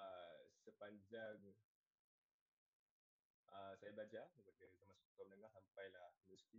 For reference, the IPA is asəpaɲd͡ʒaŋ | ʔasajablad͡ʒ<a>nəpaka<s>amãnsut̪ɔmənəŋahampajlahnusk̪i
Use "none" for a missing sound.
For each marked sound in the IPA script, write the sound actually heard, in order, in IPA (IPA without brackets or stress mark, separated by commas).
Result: a, z